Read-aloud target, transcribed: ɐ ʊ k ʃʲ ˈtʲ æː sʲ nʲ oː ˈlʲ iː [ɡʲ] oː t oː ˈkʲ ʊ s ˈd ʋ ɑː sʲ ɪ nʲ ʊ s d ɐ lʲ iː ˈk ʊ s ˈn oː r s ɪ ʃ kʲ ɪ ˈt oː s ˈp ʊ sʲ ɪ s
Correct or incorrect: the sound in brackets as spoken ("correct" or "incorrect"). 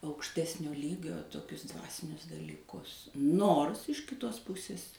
correct